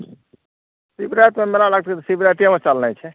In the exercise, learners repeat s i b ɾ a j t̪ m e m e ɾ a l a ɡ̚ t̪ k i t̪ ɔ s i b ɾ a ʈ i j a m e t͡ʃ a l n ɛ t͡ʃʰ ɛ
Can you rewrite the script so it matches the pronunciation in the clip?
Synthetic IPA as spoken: s i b ɾ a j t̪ m e m e ɾ a l a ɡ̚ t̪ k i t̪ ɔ s i b ɾ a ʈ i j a m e t͡ʃ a l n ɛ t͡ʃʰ ɛ